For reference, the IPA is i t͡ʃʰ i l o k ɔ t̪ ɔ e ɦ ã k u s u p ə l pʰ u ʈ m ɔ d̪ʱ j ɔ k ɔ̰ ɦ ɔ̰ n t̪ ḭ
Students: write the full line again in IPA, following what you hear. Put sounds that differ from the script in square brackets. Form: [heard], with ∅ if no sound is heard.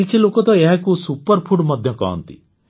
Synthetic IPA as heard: i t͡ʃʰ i l o k ɔ t̪ ɔ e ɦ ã k u s u p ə [ɾ] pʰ u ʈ m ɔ d̪ʱ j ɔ k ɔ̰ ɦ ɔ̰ n t̪ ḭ